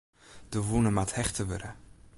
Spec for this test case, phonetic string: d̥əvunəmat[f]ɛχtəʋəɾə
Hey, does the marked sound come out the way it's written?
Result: no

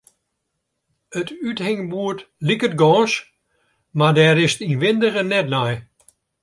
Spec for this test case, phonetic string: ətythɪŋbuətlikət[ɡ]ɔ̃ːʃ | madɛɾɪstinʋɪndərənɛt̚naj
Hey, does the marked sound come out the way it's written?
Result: yes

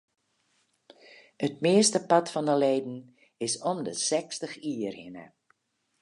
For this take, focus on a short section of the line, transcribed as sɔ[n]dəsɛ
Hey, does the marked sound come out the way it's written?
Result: no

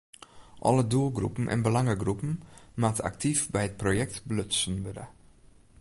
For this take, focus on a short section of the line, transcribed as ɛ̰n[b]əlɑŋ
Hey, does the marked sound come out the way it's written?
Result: yes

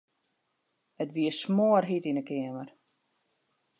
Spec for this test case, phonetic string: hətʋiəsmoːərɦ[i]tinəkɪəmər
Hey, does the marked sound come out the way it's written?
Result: yes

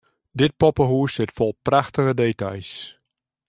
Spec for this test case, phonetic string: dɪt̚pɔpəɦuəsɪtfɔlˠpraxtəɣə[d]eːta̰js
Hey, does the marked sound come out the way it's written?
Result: yes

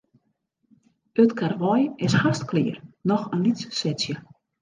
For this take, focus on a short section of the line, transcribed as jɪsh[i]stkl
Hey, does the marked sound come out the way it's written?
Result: no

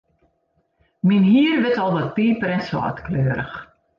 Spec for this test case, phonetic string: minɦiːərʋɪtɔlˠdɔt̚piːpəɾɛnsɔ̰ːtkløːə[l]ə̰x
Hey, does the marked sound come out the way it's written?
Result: no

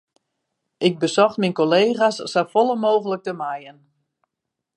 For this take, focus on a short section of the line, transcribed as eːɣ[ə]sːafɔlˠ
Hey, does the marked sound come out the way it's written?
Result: no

